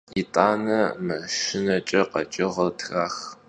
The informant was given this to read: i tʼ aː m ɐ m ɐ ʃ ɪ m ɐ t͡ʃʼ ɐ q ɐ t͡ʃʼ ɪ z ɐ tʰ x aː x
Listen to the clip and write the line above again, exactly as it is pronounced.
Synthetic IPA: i tʼ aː n ɐ m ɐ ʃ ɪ n ɐ t͡ʃʼ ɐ q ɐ t͡ʃʼ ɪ ʁ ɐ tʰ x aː x